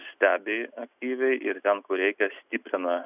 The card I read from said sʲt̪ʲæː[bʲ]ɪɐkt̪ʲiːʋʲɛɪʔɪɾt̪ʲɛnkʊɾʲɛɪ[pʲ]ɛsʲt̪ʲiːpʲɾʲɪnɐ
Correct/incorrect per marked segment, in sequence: correct, incorrect

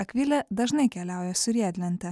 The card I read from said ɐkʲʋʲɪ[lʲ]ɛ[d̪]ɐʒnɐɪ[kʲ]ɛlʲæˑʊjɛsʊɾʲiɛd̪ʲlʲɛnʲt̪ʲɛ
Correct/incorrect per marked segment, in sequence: correct, correct, correct

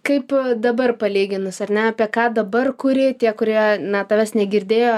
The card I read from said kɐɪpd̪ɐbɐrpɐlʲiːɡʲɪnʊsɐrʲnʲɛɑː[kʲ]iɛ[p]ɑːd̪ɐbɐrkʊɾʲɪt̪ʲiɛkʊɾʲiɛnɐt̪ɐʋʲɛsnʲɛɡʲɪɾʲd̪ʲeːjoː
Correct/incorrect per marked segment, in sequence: incorrect, incorrect

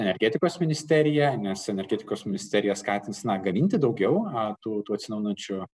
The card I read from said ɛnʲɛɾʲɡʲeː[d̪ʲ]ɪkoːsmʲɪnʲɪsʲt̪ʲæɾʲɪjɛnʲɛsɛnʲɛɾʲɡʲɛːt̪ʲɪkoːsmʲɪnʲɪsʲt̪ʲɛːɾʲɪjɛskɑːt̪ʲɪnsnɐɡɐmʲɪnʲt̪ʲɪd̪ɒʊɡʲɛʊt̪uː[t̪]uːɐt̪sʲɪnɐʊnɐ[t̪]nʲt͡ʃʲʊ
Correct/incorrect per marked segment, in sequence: incorrect, correct, incorrect

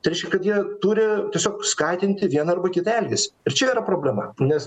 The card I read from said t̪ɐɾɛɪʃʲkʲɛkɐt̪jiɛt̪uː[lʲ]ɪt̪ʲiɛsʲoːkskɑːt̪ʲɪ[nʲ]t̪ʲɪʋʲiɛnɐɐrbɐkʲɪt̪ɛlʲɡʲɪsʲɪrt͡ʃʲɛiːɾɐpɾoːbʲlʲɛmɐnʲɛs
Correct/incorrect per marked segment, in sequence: incorrect, correct

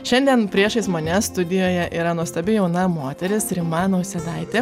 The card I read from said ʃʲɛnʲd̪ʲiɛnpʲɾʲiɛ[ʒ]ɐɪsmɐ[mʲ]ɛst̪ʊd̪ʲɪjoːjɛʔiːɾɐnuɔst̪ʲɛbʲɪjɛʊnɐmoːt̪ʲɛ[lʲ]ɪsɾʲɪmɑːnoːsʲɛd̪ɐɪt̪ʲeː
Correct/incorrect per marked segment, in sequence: incorrect, incorrect, incorrect

